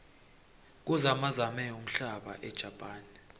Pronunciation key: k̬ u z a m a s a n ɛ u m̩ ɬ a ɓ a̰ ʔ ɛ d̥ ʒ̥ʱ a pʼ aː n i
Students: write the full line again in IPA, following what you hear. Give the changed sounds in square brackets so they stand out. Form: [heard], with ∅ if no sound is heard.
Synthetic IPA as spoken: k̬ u z a m a [z] a [m] ɛ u m̩ ɬ a ɓ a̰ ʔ ɛ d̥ ʒ̥ʱ a pʼ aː n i